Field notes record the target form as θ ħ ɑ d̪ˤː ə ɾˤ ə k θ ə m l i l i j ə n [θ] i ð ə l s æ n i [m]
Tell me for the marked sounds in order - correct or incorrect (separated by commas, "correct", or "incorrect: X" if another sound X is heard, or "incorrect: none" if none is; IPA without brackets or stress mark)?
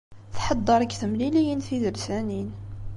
correct, incorrect: n